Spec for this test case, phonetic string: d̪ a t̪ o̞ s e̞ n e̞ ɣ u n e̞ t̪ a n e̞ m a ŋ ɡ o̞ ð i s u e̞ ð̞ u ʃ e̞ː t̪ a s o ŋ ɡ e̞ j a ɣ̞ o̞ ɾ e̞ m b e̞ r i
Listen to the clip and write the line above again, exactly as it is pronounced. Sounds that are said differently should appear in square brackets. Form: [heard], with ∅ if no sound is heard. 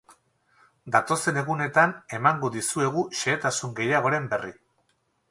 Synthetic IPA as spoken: d̪ a t̪ o̞ s e̞ n e̞ ɣ u n e̞ t̪ a n e̞ m a ŋ ɡ o̞ ð i s u e̞ [ɣ̞] u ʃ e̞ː t̪ a s [u] ŋ ɡ e̞ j a ɣ̞ o̞ ɾ e̞ m b e̞ r i